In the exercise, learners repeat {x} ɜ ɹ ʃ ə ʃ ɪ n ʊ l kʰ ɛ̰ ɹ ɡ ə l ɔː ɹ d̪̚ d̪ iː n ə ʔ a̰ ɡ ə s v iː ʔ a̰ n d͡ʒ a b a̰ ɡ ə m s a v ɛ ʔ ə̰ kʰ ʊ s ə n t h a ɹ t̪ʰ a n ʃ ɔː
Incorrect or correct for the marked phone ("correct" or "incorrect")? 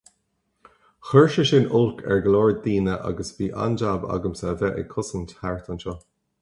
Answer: correct